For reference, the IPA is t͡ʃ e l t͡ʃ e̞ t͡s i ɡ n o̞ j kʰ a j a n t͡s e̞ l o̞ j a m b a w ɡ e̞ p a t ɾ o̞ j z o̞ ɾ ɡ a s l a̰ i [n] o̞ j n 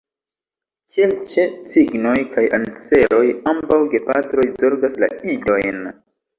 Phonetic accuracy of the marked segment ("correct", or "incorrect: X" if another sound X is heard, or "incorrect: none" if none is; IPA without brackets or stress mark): incorrect: d